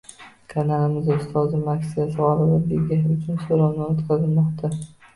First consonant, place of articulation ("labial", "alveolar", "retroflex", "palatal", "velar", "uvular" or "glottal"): velar